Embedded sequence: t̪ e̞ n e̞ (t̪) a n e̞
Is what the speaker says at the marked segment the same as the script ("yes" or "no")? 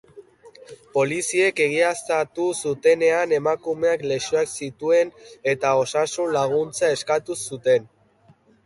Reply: no